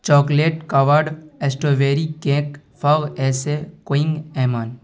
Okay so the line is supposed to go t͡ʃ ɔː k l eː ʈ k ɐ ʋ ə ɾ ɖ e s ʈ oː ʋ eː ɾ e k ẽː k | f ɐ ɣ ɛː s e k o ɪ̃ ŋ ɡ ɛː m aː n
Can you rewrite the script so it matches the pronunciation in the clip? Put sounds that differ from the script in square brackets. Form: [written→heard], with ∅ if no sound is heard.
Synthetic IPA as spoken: t͡ʃ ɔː k l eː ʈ k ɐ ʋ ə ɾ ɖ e s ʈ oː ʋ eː ɾ [e→i] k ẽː k | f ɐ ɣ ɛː s e k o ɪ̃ ŋ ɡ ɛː m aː n